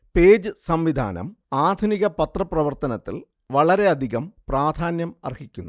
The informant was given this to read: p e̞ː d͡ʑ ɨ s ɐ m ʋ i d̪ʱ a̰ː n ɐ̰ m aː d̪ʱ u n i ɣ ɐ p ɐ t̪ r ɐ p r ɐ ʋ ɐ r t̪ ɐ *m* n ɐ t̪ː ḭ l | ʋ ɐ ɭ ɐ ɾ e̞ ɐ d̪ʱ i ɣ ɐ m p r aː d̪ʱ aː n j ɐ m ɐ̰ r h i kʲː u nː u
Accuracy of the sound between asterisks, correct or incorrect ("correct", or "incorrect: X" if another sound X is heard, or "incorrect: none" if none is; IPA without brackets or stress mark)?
incorrect: none